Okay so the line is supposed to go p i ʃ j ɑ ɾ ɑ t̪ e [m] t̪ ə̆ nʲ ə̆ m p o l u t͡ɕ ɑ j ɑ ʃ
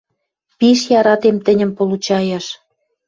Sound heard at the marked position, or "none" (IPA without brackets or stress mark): m